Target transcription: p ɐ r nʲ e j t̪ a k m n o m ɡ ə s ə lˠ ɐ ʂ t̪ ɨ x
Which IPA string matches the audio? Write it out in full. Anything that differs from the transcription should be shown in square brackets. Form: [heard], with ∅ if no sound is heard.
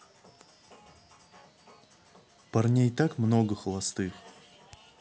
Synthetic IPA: p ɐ r nʲ e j t̪ a k m n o [∅] ɡ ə [x] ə lˠ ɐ [s] t̪ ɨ x